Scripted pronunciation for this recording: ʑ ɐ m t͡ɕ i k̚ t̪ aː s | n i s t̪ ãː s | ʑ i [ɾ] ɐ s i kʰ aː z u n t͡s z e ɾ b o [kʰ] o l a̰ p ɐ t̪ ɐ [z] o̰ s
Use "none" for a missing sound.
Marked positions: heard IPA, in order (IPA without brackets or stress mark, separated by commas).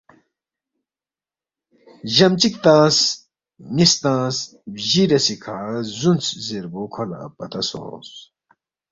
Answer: ɾ, kʰ, s